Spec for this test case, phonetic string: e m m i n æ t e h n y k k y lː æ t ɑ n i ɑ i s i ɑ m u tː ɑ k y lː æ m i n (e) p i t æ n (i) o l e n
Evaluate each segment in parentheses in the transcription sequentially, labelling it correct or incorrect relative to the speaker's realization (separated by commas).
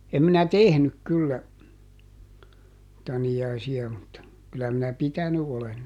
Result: incorrect, incorrect